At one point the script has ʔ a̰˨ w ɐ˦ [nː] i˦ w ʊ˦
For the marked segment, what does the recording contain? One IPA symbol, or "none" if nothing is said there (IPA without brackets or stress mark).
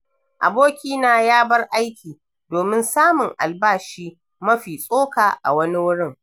n